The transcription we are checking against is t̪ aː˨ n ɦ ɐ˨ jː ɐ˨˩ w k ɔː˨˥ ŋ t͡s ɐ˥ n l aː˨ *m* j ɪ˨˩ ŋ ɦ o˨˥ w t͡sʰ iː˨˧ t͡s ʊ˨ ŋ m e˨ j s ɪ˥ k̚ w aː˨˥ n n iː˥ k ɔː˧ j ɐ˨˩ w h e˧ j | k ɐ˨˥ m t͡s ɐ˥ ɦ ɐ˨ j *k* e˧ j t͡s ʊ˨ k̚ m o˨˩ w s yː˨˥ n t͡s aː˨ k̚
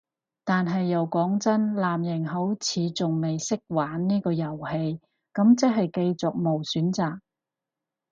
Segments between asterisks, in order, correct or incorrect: correct, correct

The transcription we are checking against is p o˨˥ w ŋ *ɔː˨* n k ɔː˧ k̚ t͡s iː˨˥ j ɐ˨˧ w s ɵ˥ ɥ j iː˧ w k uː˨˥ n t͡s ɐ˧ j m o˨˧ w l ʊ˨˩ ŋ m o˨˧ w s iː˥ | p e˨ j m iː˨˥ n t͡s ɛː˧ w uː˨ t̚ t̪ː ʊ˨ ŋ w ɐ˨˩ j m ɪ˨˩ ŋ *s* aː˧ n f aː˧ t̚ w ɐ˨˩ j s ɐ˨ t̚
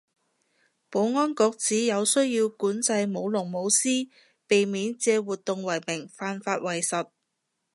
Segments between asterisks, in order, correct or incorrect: incorrect: ɔː˥, incorrect: f

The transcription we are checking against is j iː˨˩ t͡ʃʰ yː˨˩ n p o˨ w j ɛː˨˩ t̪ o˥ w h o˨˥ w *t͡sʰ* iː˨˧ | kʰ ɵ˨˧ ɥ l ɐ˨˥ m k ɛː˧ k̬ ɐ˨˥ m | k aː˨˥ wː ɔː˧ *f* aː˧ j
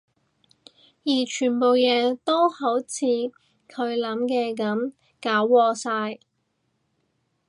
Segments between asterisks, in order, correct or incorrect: correct, incorrect: s

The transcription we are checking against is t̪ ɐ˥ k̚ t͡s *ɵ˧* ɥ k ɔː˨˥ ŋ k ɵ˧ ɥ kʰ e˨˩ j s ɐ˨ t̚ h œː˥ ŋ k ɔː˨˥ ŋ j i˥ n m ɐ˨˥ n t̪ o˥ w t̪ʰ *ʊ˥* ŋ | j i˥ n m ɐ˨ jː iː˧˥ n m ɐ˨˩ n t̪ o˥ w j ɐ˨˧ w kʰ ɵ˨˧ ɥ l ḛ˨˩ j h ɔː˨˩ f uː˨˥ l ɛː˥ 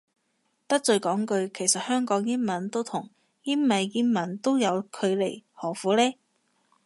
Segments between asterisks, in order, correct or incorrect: correct, incorrect: ʊ˨˩

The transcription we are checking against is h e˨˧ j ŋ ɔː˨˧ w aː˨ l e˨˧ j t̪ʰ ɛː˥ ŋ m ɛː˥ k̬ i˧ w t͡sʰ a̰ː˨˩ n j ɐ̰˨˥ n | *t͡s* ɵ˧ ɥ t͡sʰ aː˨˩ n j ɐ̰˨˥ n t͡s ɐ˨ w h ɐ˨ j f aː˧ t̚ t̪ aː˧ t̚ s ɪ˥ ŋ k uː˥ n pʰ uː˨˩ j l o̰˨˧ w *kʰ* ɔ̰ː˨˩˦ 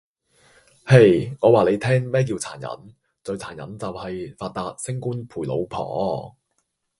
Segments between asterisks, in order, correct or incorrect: correct, incorrect: pʰ

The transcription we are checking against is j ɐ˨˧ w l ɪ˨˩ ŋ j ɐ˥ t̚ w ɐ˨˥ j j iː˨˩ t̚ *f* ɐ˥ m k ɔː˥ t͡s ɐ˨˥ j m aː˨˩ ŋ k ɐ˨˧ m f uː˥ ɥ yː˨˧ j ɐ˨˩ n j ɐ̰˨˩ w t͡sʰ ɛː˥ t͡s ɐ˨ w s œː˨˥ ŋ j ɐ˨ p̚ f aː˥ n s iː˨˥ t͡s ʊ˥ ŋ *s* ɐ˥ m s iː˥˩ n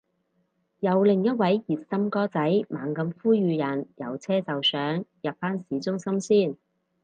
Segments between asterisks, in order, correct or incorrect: incorrect: s, correct

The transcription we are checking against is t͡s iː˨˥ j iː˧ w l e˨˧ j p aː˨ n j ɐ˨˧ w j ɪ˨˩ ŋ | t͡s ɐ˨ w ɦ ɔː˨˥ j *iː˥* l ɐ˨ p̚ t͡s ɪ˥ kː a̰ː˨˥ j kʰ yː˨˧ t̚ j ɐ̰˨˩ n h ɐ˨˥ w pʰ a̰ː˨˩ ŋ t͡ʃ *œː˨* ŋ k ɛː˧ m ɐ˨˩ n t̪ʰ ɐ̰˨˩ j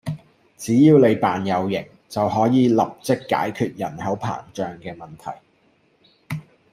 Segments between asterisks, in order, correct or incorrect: incorrect: iː˨˧, correct

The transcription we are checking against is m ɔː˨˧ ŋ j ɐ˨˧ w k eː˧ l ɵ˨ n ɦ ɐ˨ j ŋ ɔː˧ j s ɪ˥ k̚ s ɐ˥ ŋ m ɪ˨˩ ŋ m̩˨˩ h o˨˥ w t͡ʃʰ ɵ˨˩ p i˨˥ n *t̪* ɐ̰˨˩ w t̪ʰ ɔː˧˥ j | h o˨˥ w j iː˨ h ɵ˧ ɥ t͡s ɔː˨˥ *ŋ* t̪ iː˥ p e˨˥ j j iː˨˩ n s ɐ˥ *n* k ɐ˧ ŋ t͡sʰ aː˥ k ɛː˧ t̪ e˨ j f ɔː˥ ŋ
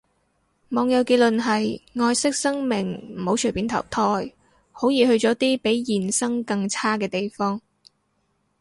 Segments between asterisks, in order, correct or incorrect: incorrect: t̪ʰ, incorrect: none, incorrect: ŋ

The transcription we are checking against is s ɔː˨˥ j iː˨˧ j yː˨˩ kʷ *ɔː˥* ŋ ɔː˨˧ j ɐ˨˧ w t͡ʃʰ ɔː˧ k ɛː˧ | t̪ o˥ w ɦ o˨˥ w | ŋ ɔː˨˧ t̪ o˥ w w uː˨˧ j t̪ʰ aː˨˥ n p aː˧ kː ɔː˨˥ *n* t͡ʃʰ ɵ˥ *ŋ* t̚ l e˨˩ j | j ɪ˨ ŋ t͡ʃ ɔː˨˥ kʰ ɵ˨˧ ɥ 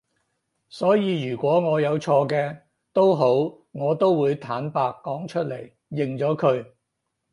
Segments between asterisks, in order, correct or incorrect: incorrect: ɔː˨˥, incorrect: ŋ, incorrect: none

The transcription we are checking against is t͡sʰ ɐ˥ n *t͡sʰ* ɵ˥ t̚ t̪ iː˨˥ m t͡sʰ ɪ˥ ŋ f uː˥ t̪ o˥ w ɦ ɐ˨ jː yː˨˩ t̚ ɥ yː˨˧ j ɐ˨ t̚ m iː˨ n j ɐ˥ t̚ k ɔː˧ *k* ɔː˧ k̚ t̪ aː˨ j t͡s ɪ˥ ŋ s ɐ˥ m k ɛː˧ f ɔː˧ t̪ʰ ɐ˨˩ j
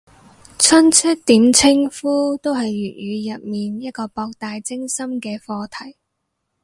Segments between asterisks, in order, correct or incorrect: correct, incorrect: p

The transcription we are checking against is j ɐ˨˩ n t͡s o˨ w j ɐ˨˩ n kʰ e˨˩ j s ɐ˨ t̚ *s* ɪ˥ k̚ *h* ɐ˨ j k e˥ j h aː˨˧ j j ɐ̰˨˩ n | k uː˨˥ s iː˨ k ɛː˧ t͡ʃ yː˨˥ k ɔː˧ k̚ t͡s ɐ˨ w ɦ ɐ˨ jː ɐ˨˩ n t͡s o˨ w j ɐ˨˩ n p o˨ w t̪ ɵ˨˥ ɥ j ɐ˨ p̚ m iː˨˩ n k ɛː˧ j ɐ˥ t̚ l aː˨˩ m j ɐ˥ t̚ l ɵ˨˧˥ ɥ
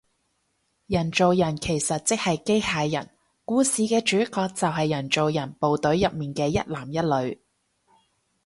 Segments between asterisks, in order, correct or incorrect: incorrect: t͡s, correct

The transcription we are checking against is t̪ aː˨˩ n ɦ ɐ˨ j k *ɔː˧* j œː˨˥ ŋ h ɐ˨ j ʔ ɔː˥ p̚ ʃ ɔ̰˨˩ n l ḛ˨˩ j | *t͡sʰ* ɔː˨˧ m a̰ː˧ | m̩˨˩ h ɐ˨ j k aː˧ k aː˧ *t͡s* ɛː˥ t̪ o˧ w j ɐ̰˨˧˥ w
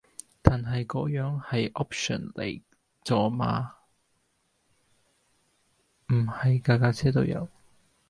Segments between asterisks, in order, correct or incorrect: incorrect: ɔː˨˥, incorrect: t͡s, incorrect: t͡sʰ

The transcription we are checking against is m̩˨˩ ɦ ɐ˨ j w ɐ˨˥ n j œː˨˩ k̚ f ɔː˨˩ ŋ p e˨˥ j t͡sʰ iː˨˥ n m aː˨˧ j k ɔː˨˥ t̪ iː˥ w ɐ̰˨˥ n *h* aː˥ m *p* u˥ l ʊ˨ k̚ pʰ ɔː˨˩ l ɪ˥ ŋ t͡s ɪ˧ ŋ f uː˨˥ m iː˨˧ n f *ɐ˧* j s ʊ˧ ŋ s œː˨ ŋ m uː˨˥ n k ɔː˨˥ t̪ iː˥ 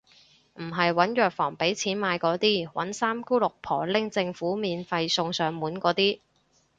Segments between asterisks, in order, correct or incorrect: incorrect: s, incorrect: k, correct

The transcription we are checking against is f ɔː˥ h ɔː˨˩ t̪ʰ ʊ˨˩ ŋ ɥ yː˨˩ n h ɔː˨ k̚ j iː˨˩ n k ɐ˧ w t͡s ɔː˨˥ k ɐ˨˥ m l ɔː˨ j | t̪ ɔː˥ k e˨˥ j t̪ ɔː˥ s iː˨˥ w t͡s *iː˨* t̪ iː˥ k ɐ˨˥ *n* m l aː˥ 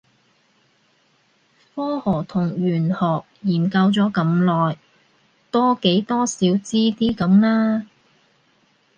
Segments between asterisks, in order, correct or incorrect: incorrect: iː˥, incorrect: none

